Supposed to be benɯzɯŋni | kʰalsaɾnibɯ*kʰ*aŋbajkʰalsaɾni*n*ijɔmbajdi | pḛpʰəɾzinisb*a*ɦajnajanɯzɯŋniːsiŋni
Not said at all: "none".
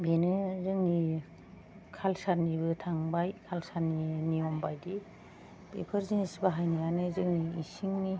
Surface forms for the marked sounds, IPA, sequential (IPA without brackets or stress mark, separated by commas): tʰ, n, a